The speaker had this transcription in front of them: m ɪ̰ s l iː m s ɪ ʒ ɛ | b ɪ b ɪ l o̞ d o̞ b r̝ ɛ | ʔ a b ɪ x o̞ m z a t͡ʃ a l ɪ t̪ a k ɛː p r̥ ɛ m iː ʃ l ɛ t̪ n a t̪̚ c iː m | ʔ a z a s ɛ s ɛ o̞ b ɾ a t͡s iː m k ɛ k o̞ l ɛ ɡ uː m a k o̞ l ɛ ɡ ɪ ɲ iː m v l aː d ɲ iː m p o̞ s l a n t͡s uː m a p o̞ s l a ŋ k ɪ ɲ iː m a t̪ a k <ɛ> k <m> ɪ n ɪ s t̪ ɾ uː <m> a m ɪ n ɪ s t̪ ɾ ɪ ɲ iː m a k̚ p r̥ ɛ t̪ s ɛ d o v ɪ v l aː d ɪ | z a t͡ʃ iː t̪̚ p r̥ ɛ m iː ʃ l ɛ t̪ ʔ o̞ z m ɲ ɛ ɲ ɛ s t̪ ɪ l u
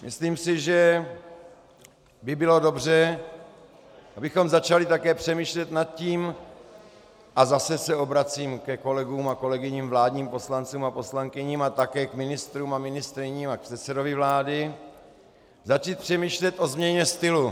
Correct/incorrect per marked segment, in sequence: incorrect, correct, correct

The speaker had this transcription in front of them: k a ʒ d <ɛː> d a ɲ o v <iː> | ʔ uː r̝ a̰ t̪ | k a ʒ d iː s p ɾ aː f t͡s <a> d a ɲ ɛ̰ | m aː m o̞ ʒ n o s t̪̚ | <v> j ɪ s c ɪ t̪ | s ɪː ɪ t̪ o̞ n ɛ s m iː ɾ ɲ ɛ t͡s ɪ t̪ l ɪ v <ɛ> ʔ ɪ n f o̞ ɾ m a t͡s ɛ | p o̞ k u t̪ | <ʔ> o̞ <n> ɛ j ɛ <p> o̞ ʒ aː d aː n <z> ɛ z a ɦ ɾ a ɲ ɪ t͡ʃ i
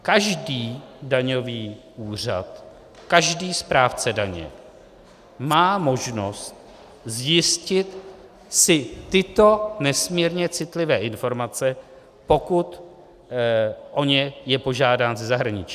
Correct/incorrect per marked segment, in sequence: incorrect, correct, incorrect, incorrect, incorrect, correct, incorrect, correct, correct

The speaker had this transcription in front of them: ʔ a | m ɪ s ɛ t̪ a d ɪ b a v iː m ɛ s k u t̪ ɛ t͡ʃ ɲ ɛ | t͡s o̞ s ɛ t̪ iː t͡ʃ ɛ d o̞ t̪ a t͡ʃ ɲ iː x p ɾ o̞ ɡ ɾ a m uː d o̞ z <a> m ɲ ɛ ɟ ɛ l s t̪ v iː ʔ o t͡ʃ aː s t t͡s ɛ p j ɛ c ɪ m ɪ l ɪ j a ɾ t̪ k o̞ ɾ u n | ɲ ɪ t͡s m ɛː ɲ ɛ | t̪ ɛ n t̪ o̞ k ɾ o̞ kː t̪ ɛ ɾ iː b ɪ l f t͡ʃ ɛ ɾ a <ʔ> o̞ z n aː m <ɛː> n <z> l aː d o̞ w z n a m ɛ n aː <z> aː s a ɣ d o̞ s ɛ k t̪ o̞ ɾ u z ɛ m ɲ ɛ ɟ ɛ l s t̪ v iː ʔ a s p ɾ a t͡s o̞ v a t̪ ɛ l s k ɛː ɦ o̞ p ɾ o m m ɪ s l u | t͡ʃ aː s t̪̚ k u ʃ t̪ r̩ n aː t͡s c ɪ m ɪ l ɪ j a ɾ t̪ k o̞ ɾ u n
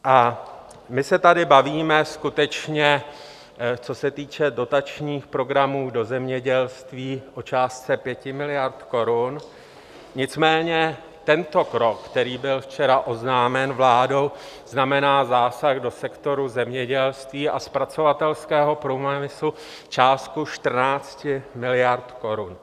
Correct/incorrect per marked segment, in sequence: incorrect, correct, incorrect, incorrect, correct

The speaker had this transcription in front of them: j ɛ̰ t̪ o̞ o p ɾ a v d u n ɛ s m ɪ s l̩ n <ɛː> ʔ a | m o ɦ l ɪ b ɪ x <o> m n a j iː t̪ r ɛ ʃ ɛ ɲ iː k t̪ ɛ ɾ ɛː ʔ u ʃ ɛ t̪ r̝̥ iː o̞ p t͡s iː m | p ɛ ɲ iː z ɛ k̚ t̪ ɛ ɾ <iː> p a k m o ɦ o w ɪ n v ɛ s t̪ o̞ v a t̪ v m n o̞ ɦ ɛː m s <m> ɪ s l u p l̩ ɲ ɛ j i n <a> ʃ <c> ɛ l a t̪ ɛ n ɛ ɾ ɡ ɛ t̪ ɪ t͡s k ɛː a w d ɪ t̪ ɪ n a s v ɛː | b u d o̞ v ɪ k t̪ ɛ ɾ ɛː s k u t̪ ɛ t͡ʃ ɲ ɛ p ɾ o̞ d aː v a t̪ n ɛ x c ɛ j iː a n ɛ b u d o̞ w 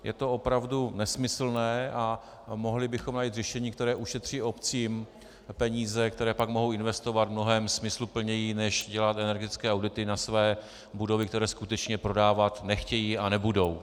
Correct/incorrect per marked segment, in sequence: correct, correct, incorrect, correct, incorrect, incorrect

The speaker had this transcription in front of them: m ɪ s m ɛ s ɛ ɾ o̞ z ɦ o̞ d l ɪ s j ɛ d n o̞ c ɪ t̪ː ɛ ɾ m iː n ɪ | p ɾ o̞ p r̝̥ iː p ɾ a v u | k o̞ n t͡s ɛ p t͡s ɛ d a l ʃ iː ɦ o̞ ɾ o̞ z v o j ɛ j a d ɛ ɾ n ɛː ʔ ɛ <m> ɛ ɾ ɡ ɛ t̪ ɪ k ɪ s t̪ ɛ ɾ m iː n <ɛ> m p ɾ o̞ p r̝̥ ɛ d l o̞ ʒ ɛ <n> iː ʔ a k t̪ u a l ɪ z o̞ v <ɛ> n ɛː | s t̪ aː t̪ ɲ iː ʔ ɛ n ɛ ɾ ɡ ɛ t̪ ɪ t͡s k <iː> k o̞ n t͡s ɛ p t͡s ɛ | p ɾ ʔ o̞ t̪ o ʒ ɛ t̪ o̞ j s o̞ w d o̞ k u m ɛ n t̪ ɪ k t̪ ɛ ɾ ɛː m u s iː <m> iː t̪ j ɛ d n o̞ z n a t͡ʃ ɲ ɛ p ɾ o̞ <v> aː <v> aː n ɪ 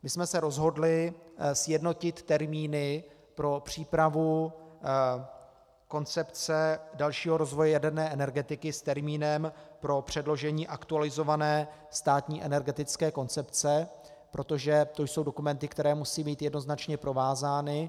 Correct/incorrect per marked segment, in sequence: incorrect, correct, incorrect, incorrect, incorrect, incorrect, correct, incorrect

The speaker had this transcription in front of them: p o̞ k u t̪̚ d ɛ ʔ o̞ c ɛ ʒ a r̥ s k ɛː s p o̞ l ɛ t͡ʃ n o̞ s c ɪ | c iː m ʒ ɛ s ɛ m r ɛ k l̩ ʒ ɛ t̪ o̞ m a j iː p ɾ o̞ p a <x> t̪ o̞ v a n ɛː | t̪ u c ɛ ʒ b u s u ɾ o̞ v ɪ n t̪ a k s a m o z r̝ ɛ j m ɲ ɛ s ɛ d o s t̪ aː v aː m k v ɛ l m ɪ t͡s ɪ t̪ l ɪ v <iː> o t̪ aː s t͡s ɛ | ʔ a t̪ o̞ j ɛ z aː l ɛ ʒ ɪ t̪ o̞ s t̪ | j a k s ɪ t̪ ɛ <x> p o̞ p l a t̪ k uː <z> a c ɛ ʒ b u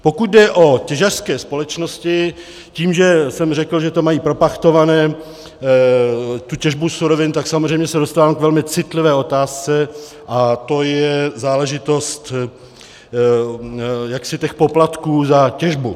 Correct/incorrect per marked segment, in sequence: correct, incorrect, correct, correct

